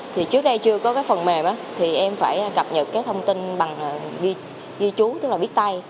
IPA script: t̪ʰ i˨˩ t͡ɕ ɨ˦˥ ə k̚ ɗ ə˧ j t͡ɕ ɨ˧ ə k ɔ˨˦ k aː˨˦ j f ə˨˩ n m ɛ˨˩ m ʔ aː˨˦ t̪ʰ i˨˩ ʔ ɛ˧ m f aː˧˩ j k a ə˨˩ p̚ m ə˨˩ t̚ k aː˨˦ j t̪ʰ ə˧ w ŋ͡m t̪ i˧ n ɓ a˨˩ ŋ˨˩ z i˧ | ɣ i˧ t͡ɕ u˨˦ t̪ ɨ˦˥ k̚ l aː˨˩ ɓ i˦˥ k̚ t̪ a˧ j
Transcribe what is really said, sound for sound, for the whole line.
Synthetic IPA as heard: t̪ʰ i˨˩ t͡ɕ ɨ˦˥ ə k̚ ɗ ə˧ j t͡ɕ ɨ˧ ə k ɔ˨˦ k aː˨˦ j f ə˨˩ n m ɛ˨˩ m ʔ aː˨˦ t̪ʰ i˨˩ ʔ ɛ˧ m f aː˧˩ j k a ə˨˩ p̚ ɲ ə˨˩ t̚ k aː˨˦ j t̪ʰ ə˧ w ŋ͡m t̪ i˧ n ɓ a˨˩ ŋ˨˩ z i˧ | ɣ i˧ t͡ɕ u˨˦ t̪ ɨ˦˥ k̚ l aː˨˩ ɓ i˦˥ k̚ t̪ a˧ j